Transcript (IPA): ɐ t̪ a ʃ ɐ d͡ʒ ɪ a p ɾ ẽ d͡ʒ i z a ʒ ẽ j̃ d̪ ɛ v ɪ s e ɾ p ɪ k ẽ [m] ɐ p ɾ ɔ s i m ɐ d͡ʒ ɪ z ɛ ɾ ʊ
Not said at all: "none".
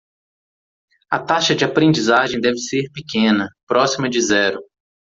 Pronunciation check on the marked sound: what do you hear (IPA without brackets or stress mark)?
n